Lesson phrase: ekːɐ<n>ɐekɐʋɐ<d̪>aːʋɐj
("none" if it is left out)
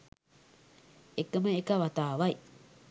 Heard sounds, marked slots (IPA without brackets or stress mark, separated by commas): m, t̪